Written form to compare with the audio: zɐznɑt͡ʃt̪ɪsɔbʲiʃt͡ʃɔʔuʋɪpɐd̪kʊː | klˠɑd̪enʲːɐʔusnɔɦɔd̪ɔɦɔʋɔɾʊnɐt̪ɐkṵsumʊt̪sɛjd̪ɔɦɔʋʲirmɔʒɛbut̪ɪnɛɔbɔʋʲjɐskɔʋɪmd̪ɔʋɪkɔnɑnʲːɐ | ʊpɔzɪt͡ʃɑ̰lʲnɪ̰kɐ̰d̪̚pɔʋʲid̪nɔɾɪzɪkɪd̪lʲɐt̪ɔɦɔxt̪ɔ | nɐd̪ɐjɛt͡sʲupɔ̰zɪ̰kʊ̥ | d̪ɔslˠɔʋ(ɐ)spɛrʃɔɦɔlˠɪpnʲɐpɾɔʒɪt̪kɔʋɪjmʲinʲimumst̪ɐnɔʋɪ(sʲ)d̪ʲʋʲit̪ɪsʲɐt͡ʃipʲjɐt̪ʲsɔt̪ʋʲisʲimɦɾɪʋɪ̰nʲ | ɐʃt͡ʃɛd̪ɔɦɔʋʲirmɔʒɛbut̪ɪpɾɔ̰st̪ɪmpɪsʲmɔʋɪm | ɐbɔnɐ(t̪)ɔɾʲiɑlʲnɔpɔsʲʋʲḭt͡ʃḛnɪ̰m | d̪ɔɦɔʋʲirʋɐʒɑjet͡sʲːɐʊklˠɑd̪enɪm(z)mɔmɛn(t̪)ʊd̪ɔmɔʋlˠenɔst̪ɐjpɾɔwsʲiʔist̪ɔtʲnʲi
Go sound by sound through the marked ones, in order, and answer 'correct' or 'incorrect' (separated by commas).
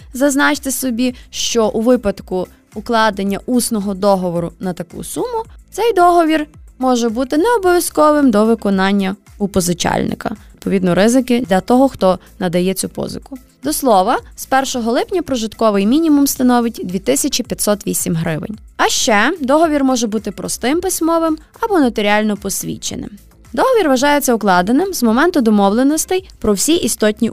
correct, incorrect, correct, correct, correct